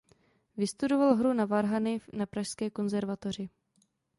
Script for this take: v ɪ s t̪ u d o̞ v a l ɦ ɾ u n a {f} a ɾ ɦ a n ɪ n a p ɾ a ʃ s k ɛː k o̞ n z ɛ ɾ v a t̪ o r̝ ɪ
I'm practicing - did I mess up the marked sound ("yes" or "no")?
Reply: yes